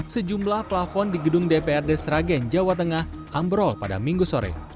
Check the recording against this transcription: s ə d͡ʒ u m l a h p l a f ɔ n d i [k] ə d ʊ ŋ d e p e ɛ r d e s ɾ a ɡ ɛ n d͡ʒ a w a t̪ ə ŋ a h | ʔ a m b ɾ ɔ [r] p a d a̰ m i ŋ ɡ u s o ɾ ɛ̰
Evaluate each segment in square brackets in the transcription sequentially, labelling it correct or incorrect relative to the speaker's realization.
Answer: incorrect: ɡ, incorrect: l

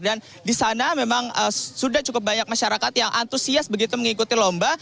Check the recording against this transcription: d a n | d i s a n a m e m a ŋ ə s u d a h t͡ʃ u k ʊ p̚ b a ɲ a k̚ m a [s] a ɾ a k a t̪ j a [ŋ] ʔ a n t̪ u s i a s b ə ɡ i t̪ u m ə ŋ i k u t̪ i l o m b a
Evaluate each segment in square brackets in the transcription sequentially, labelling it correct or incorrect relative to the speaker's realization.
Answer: incorrect: ʃ, correct

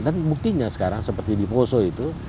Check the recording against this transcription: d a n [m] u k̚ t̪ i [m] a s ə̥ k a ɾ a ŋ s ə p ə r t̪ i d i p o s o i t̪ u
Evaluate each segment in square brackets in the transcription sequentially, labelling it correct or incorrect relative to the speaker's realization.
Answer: incorrect: b, incorrect: ɲ

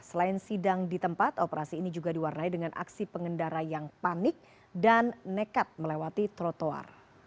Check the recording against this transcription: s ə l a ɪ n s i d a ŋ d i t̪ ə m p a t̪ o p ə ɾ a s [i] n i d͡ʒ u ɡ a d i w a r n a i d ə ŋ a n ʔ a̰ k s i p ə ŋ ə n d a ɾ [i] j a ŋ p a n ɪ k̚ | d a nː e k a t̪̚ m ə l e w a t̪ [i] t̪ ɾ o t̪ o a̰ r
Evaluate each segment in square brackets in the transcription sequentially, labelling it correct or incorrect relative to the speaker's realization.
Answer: incorrect: iː, incorrect: a, correct

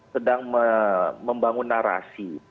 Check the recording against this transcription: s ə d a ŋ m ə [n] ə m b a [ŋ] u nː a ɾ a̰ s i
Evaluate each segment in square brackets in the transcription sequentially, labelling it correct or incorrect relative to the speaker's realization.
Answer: incorrect: m, correct

